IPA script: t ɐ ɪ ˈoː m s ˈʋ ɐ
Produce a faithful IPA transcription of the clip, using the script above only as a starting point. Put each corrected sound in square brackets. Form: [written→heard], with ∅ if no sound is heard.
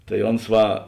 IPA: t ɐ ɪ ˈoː [m→n] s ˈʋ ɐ

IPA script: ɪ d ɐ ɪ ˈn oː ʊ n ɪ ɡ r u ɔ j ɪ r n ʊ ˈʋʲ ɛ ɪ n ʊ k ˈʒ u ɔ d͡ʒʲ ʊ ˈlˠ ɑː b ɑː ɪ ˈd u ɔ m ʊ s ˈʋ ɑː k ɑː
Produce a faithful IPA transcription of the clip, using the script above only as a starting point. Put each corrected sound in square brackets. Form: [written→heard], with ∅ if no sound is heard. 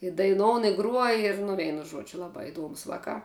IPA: ɪ d ɐ ɪ ˈn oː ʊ n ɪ ɡ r u ɔ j ɪ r n ʊ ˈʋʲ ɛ ɪ n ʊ [k→∅] ˈʒ u ɔ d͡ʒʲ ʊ ˈlˠ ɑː b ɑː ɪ ˈd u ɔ m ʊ s ˈʋ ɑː k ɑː

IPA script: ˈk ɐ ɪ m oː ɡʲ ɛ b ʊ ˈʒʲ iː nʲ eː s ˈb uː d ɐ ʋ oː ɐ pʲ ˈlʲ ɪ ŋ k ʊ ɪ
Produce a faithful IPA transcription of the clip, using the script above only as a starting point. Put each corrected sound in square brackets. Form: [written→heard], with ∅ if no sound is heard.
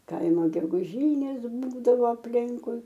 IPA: ˈk ɐ ɪ m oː ɡʲ ɛ [b→ɡ] ʊ ˈʒʲ iː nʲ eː s ˈb uː d ɐ ʋ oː ɐ pʲ ˈlʲ ɪ ŋ k ʊ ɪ

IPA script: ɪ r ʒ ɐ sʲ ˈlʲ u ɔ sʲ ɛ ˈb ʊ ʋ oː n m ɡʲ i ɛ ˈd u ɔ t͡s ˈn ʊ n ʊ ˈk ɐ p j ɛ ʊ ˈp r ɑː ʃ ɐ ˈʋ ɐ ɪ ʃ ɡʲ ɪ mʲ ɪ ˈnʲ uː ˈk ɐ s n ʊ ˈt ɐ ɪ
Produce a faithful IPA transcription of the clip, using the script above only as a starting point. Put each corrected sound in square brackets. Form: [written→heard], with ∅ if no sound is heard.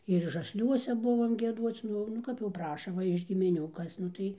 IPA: ɪ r ʒ ɐ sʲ ˈlʲ u ɔ sʲ ɛ ˈb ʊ ʋ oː [n→∅] m ɡʲ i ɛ ˈd u ɔ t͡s ˈn ʊ n ʊ ˈk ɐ p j ɛ ʊ ˈp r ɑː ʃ ɐ ˈʋ ɐ ɪ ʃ ɡʲ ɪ mʲ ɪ ˈnʲ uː ˈk ɐ s n ʊ ˈt ɐ ɪ

